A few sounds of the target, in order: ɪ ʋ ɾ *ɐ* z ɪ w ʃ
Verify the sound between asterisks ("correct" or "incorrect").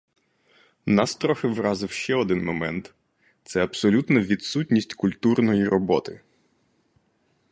incorrect